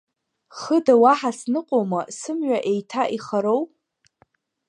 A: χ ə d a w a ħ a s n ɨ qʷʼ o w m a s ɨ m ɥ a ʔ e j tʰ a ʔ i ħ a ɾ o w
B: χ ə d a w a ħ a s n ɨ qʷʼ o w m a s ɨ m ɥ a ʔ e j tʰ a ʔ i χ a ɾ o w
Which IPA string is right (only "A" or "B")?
B